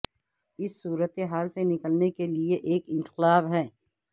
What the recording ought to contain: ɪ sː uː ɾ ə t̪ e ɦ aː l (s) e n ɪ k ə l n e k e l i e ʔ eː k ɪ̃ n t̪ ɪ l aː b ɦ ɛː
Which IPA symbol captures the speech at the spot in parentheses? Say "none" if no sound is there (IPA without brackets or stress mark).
s